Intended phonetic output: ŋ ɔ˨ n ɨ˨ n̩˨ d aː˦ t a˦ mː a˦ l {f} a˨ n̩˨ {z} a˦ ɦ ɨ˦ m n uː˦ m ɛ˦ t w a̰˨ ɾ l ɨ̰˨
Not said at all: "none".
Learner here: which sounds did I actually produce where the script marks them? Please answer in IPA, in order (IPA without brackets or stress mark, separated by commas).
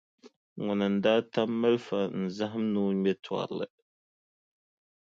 f, z